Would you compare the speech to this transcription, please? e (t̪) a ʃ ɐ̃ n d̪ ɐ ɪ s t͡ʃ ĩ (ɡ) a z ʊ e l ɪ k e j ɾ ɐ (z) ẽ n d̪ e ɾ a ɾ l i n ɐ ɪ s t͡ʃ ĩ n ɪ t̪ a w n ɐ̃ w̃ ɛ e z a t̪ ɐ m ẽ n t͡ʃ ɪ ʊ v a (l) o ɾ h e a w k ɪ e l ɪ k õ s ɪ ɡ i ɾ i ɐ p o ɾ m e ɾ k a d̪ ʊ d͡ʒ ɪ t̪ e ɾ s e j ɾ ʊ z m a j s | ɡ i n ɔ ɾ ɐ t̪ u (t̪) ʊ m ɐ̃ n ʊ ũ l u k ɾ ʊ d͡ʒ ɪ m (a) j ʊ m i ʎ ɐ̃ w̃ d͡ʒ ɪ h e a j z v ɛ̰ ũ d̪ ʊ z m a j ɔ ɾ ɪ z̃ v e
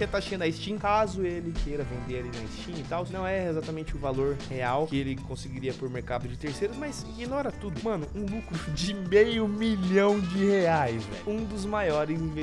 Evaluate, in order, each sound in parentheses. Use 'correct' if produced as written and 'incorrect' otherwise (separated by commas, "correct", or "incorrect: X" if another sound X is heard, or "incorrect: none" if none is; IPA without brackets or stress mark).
correct, incorrect: k, incorrect: v, correct, incorrect: d̪, incorrect: e